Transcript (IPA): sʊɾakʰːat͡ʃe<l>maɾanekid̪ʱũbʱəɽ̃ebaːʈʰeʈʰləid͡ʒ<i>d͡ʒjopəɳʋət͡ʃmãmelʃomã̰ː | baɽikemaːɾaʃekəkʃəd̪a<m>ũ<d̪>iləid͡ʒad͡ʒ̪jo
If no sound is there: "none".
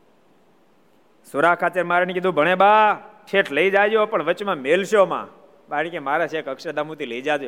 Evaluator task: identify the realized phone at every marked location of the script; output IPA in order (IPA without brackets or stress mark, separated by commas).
ɾ, a, m, t̪